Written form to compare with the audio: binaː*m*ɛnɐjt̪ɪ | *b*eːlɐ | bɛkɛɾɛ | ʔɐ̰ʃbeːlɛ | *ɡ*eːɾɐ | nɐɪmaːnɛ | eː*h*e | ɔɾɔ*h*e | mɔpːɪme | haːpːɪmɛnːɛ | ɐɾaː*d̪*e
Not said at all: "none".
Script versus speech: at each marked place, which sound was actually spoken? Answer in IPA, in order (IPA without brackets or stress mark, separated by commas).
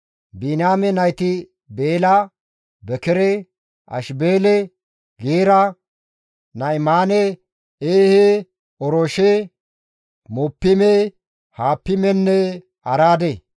m, b, ɡ, h, ʃ, d̪